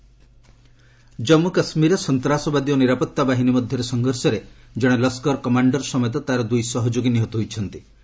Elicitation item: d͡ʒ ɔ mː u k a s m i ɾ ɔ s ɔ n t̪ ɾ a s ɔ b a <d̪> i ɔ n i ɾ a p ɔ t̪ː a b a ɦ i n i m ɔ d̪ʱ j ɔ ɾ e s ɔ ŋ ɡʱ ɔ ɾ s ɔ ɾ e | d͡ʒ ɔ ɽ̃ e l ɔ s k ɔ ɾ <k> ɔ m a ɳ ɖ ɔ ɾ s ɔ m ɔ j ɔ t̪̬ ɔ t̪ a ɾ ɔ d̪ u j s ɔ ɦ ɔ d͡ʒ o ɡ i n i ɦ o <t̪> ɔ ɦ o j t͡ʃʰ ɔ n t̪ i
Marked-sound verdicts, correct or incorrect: correct, correct, correct

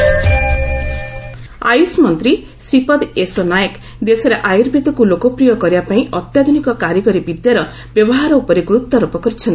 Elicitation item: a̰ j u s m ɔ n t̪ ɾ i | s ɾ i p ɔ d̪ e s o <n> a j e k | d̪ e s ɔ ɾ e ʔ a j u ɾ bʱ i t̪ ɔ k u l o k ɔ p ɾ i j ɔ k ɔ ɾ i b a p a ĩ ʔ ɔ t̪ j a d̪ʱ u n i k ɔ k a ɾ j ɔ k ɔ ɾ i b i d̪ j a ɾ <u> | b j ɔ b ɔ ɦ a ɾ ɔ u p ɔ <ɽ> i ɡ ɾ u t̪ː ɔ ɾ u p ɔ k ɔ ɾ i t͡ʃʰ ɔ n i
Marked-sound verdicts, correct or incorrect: correct, incorrect: ɔ, incorrect: ɾ

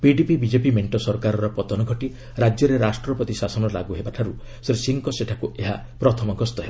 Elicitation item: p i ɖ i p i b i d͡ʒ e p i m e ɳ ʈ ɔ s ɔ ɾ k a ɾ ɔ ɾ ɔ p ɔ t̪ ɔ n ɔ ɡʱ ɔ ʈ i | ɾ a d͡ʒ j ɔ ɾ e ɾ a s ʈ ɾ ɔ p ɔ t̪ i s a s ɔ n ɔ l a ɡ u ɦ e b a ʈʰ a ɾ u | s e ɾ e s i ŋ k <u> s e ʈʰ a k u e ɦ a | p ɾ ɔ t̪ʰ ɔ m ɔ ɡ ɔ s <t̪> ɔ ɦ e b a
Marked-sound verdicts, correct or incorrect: incorrect: ɔ, correct

